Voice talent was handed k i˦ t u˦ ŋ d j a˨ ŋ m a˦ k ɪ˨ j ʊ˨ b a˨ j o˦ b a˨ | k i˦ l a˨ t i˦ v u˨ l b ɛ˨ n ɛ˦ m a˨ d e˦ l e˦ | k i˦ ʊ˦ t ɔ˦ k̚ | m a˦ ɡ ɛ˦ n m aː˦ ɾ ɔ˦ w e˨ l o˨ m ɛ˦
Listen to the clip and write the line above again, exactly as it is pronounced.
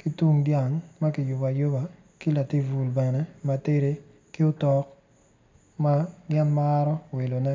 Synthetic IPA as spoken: k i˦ t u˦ ŋ d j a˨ ŋ m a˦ k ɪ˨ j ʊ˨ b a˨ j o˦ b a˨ | k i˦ l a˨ t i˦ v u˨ l b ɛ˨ n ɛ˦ m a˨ t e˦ ɾ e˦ | k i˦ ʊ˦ t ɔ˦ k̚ | m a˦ ɡ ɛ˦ n m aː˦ ɾ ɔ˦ w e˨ l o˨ n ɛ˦

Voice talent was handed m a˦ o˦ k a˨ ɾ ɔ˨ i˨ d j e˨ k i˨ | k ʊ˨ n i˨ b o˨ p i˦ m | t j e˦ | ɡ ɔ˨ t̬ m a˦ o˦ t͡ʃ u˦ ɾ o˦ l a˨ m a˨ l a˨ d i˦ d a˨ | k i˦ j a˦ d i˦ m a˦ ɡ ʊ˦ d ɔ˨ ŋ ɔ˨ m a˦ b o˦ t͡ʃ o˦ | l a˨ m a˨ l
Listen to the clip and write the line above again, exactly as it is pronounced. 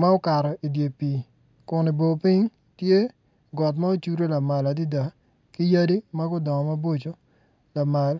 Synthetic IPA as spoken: m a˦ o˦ k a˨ ɾ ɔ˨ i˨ d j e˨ p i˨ | k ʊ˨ n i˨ b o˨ p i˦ ɲ | t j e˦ | ɡ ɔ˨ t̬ m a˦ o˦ t͡ʃ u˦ ɾ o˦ l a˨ m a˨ l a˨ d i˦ d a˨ | k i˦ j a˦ d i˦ m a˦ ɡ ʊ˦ d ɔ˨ ŋ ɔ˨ m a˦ b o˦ t͡ʃ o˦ | l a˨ m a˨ l

